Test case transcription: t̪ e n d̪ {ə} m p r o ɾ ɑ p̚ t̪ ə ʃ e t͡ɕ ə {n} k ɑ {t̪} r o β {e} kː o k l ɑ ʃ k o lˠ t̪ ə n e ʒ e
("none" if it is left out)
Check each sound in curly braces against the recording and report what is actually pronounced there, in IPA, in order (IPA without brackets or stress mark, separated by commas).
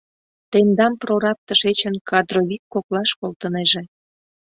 ɑ, n, d̪, i